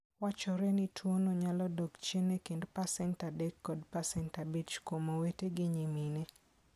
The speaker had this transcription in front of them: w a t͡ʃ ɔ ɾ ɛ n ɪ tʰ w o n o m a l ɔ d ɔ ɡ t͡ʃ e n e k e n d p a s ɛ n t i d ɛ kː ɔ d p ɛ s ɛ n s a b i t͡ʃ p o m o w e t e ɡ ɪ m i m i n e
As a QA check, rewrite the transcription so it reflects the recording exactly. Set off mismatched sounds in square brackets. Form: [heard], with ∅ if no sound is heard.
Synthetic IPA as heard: w a t͡ʃ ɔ ɾ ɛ n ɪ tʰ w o n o [ɲ] a l ɔ d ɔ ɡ t͡ʃ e n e k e n d p a s ɛ n t [a] d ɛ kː ɔ d p [a] s ɛ n [t] a b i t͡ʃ [k] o m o w e t e ɡ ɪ [ɲ] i m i n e